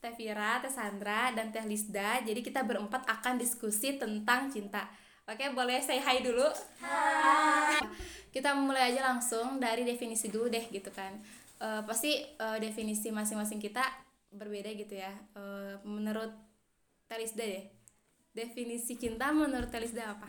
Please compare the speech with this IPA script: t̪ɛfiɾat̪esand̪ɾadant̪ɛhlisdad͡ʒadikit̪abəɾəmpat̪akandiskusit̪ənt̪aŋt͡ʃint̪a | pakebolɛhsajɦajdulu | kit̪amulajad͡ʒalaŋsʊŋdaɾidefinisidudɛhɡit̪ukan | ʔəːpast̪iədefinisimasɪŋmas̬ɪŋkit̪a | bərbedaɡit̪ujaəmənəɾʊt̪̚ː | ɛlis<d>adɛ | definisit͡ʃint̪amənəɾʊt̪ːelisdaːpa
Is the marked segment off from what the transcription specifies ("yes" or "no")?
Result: no